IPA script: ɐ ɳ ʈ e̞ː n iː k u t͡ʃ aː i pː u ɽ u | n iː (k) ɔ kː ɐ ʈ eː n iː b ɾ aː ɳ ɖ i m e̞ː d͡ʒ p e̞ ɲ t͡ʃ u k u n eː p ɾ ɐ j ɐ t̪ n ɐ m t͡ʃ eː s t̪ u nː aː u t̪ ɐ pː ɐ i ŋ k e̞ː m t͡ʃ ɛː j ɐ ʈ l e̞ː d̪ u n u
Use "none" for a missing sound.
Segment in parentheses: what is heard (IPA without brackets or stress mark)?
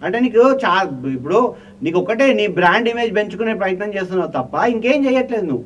k